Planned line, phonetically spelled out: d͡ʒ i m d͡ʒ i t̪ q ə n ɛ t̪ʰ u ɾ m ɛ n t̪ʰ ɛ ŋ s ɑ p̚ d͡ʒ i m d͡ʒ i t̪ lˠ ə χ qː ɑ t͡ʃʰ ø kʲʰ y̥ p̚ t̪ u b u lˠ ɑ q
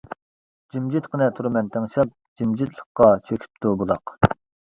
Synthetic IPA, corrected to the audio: d͡ʒ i m d͡ʒ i t̪ q ə n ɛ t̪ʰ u ɾ m ɛ n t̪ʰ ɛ ŋ ʃ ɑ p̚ d͡ʒ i m d͡ʒ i t̪ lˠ ə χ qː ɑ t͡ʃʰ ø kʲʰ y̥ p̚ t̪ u b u lˠ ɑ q